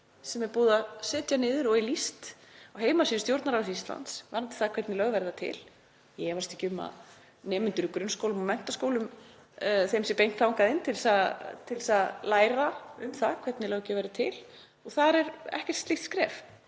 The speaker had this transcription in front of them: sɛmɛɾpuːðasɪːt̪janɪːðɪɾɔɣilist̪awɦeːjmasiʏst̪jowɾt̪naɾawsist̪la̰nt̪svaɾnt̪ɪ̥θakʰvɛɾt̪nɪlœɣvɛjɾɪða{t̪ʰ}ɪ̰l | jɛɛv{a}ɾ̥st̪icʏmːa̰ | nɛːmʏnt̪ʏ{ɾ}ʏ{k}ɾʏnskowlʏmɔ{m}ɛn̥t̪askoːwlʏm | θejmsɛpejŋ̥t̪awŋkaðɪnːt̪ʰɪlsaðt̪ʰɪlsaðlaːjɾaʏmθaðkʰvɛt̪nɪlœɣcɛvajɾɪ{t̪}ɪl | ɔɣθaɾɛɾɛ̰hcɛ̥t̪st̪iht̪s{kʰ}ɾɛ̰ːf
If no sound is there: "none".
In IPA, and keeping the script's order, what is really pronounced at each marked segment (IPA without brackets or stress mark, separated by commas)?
t̪ʰ, a, ɾ, k, m, t̪ʰ, k